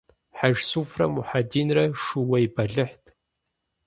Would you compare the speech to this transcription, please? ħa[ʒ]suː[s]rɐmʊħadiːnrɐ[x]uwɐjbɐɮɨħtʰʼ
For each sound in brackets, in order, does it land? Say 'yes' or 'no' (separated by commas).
yes, no, no